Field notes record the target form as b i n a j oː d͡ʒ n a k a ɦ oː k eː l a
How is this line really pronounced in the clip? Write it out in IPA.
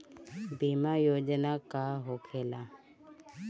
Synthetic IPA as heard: b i m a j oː d͡ʒ n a k a ɦ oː kʰ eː l a